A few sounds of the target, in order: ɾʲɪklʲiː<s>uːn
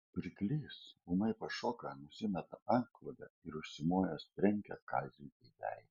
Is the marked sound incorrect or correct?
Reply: correct